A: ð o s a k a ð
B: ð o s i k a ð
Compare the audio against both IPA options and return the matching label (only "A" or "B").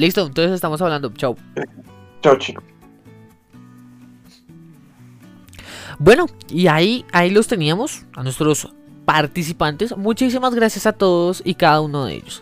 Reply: B